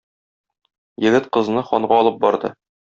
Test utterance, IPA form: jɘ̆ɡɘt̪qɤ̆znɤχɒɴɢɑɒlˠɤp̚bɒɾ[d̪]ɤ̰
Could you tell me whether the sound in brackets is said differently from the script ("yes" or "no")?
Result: no